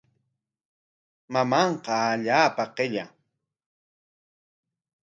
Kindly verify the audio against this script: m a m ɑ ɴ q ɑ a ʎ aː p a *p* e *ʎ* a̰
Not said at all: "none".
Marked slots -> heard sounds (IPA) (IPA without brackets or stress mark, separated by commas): q, ʎ